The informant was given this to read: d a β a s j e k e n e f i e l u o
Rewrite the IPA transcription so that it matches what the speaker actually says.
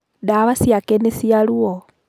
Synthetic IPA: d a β a s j a k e n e s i a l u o